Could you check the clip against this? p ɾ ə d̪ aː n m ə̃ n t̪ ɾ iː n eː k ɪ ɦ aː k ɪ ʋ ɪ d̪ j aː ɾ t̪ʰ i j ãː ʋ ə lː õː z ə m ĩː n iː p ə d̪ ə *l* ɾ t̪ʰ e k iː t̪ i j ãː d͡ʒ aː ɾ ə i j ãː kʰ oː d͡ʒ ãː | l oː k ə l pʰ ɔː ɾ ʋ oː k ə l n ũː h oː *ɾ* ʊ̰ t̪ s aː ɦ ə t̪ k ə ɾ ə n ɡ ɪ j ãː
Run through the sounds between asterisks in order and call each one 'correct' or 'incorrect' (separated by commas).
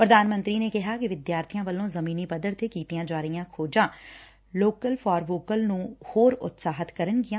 incorrect, correct